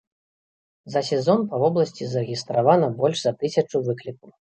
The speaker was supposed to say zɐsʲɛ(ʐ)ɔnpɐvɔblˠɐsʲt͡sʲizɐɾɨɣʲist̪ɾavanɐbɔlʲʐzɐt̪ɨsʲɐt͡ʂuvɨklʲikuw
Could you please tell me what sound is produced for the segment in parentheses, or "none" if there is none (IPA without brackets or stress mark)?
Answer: z